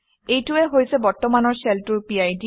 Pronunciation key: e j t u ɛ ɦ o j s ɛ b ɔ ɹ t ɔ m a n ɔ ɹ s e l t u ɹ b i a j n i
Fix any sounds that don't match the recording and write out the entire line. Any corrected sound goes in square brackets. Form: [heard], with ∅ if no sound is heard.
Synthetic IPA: e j t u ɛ ɦ o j s ɛ b ɔ ɹ t ɔ m a n ɔ ɹ s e l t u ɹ [p] i a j [d] i